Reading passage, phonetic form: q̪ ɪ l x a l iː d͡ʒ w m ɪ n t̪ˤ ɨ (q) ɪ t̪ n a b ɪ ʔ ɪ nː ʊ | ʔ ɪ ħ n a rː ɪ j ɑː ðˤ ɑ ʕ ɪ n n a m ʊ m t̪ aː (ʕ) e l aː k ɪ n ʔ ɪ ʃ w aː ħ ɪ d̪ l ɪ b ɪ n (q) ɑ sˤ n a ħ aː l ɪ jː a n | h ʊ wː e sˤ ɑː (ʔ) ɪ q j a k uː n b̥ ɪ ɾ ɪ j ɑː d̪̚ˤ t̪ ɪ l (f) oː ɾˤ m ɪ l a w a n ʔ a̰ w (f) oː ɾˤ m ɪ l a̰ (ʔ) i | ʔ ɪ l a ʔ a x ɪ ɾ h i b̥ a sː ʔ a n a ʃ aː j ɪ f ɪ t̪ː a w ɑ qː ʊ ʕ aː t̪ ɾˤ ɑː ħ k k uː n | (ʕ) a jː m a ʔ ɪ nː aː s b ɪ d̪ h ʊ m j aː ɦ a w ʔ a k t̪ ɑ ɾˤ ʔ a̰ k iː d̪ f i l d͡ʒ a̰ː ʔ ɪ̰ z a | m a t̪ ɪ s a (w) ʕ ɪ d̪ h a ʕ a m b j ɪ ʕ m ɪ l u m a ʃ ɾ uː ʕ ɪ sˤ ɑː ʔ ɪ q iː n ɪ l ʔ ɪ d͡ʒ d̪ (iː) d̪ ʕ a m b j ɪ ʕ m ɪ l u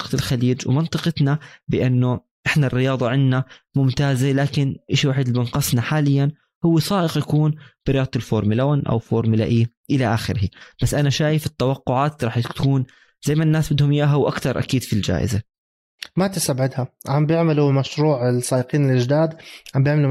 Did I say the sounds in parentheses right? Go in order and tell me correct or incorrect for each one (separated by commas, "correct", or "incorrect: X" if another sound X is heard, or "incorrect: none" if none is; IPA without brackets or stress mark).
correct, incorrect: z, correct, correct, correct, correct, correct, incorrect: z, incorrect: b, incorrect: aː